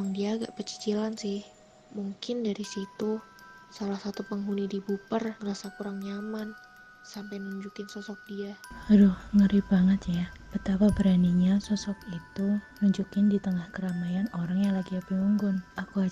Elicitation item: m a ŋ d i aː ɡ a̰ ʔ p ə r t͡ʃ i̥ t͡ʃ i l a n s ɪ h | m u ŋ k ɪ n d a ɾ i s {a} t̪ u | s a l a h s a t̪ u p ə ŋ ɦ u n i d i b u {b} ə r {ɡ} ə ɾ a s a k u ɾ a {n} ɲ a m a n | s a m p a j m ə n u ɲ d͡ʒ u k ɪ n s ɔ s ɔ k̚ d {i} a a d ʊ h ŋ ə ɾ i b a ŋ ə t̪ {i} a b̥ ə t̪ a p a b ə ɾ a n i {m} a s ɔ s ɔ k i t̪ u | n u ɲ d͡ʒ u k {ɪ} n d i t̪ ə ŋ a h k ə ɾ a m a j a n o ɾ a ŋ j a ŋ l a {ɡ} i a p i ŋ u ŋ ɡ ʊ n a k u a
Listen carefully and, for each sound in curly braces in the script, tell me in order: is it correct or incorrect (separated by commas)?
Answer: incorrect, incorrect, incorrect, incorrect, correct, incorrect, incorrect, correct, correct